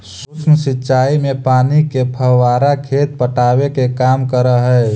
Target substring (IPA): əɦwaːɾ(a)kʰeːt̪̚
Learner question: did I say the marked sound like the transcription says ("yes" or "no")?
yes